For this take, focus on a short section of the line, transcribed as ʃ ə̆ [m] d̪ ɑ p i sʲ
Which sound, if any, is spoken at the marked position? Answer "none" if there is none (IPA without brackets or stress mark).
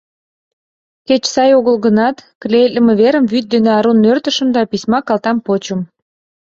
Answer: m